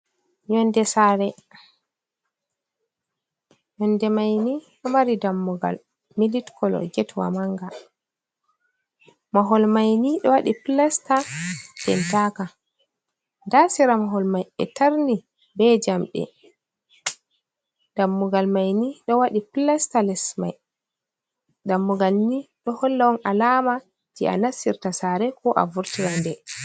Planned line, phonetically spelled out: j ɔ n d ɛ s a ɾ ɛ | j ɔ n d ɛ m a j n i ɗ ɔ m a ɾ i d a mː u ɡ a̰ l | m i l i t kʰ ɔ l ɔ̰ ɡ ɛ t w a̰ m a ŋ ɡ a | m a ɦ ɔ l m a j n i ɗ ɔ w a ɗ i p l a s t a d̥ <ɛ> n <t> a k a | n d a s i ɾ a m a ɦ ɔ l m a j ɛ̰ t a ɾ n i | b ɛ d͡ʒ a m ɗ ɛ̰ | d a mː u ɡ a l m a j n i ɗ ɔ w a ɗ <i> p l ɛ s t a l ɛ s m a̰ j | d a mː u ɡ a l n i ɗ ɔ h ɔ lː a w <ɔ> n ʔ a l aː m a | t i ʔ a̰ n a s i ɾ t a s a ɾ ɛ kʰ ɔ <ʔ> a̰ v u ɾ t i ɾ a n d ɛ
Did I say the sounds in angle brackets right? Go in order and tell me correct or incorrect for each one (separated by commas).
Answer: correct, correct, correct, correct, correct